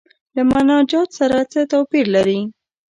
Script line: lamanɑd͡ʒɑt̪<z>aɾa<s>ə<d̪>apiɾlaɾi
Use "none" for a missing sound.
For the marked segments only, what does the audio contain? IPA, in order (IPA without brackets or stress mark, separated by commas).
s, t͡s, t̪